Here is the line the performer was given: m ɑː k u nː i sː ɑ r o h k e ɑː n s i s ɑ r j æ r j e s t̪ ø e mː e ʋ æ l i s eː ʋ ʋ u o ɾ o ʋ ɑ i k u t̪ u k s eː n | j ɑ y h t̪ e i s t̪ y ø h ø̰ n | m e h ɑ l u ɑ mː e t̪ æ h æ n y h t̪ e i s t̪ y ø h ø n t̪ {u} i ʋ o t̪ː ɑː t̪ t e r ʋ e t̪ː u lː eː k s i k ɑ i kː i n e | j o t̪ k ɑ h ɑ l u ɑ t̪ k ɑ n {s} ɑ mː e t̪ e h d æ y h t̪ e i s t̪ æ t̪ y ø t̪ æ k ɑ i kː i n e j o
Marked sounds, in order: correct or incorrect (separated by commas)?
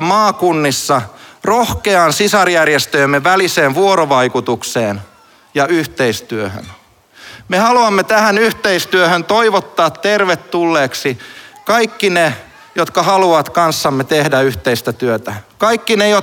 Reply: incorrect, incorrect